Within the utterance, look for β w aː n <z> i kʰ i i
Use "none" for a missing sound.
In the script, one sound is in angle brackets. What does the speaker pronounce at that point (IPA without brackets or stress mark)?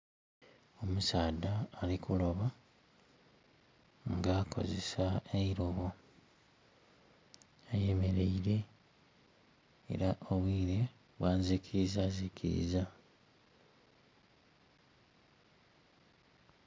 z